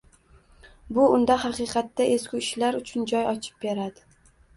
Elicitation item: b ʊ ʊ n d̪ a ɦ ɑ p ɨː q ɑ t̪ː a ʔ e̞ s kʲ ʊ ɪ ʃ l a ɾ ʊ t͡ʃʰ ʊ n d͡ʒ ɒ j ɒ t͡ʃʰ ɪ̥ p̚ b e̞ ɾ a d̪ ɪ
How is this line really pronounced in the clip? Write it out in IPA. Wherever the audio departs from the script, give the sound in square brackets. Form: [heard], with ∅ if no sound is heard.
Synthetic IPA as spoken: b ʊ ʊ n d̪ a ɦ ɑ [q] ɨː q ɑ t̪ː a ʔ e̞ s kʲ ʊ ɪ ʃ l a ɾ ʊ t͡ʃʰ ʊ n d͡ʒ ɒ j ɒ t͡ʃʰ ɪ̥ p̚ b e̞ ɾ a d̪ ɪ